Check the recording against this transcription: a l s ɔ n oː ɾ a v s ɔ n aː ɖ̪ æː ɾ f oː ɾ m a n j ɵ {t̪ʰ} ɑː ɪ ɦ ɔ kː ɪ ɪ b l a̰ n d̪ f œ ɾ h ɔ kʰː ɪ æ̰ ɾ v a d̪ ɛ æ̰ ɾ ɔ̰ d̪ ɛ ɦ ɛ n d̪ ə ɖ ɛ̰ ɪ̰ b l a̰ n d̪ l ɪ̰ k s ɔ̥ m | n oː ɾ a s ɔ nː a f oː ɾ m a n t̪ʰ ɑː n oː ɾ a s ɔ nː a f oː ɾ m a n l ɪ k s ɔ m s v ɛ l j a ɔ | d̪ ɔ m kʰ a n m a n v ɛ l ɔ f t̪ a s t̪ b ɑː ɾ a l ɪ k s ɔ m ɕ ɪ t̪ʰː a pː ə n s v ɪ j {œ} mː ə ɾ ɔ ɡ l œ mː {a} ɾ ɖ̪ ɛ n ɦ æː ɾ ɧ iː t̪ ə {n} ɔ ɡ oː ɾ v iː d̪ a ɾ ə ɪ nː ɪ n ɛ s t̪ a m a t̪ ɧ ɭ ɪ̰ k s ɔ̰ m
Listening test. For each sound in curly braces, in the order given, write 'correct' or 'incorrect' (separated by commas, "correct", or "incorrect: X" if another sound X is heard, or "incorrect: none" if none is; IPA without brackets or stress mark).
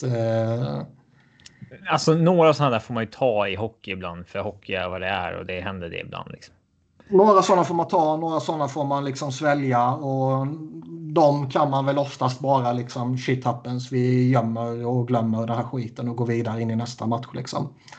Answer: correct, correct, incorrect: ə, correct